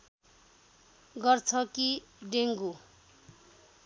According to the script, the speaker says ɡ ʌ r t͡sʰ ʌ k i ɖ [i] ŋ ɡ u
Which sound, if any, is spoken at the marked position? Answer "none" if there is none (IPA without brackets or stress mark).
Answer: e